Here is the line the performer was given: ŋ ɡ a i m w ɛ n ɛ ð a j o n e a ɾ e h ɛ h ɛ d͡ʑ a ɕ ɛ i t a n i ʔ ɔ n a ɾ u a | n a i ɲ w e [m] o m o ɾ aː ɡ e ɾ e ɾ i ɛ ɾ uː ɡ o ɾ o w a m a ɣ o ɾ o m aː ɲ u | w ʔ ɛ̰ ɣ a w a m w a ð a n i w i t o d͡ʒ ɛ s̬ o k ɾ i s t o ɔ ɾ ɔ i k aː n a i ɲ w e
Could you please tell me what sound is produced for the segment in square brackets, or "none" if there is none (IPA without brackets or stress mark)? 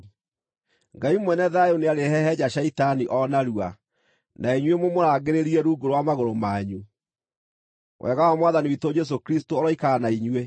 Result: m